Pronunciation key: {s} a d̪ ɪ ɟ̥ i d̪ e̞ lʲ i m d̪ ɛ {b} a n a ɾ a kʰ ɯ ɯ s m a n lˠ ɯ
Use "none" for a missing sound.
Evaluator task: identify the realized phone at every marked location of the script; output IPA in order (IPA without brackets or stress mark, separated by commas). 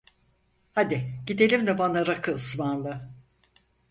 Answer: h, b